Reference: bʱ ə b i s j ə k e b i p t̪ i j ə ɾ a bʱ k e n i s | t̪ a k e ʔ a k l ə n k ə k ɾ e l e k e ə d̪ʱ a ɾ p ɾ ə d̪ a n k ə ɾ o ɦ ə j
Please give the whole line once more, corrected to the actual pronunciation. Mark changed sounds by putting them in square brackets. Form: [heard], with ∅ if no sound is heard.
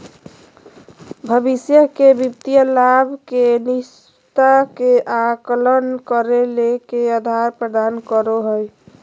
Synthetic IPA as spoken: bʱ ə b i s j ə k e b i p t̪ i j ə [l] a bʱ k e n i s | t̪ a k e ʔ a k l ə n k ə [∅] ɾ e l e k e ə d̪ʱ a ɾ p ɾ ə d̪ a n k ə ɾ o ɦ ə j

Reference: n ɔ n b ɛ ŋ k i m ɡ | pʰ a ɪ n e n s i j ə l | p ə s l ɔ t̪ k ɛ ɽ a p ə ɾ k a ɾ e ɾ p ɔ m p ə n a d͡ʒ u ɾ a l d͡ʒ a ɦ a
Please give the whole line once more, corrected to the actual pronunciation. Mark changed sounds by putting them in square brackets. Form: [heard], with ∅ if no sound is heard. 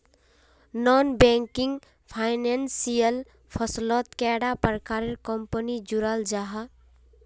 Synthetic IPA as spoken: n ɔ n b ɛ ŋ k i [ŋ] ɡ | pʰ a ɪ n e n s i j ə l | [pʰ] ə s l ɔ t̪ k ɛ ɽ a p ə ɾ k a ɾ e ɾ [k] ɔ m p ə n [i] d͡ʒ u ɾ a l d͡ʒ a ɦ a

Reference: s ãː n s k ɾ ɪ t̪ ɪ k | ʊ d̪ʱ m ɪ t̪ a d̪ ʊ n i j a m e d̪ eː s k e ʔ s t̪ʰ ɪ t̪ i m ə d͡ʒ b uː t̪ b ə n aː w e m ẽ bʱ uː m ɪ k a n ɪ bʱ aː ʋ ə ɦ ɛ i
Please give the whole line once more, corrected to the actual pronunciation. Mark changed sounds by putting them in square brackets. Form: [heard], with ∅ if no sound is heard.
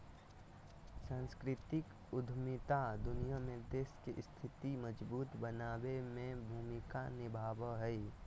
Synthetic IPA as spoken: s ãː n s k ɾ ɪ t̪ ɪ k | ʊ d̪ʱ m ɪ t̪ a d̪ ʊ n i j a m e d̪ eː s k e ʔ s t̪ʰ ɪ t̪ i m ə d͡ʒ b uː t̪ b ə n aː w e m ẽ bʱ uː m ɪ k a n ɪ bʱ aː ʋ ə ɦ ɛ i

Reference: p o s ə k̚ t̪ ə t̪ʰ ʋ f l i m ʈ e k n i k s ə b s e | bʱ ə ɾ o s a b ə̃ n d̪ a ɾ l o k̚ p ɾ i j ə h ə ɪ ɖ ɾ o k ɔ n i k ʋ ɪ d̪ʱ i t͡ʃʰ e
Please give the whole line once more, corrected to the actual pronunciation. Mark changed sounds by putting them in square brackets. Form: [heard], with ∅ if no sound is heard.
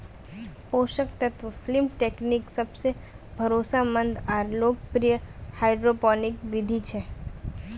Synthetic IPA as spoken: p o [ʃ] ə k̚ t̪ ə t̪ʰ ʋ f l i m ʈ e k n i k s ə b s e | bʱ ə ɾ o s a [m] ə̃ n d̪ a ɾ l o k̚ p ɾ i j ə h [a] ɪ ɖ ɾ o [p] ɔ n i k ʋ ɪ d̪ʱ i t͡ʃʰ e

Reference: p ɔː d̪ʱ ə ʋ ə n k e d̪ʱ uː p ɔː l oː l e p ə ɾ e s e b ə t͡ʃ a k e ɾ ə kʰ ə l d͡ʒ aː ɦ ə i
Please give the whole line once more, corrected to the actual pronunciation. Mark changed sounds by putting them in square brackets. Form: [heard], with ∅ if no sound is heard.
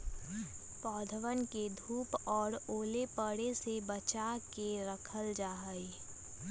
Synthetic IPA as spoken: p ɔː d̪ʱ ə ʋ ə n k e d̪ʱ uː p ɔː [ɾ] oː l e p ə [ɽ] e s e b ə t͡ʃ a k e ɾ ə kʰ ə l d͡ʒ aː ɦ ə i

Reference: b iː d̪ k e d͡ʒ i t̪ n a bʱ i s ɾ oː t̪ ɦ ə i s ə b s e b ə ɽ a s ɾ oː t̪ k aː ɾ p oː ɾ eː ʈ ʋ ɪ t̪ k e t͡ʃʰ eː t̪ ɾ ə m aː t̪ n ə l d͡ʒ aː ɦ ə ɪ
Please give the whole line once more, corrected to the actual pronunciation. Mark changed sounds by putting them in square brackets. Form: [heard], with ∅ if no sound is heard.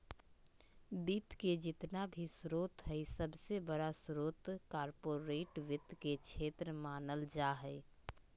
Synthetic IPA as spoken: b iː [t̪] k e d͡ʒ [ɪ] t̪ n a bʱ i s ɾ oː t̪ ɦ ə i s ə b s e b ə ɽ a s ɾ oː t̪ k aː ɾ p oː ɾ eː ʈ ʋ ɪ t̪ k e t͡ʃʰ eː t̪ ɾ ə m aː [∅] n ə l d͡ʒ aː ɦ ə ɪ

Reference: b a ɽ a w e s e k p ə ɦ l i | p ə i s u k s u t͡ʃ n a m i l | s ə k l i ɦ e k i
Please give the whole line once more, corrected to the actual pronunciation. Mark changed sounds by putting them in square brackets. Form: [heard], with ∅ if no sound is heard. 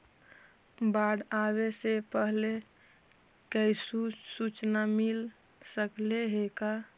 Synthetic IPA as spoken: b a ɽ a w e s e [∅] p ə ɦ l [e] | [k] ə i s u [∅] s u t͡ʃ n a m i l | s ə k l [e] ɦ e k [a]

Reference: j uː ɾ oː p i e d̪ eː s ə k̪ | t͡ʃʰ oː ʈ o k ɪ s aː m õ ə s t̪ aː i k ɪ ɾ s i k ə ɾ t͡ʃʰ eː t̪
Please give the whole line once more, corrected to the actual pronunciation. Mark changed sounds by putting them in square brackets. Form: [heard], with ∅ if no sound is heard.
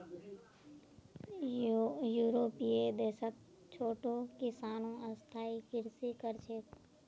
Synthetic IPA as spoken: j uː ɾ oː p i e d̪ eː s ə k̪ | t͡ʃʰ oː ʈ o k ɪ s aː [n] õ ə s [t̪ʰ] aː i k ɪ ɾ s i k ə ɾ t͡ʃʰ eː t̪

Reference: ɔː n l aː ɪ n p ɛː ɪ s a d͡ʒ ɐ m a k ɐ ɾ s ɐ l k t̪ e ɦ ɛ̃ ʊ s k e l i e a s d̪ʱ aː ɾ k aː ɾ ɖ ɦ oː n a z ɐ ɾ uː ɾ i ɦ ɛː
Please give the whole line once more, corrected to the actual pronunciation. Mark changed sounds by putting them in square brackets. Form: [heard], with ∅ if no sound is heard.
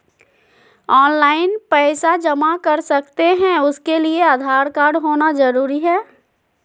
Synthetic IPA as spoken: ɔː n l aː ɪ n p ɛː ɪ s a d͡ʒ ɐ m a k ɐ ɾ s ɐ [∅] k t̪ e ɦ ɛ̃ ʊ s k e l i e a [∅] d̪ʱ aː ɾ k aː ɾ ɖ ɦ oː n a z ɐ ɾ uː ɾ i ɦ ɛː

